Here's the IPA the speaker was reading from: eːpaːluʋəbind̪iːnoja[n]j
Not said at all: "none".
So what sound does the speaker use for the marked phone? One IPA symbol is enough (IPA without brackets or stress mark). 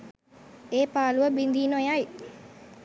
none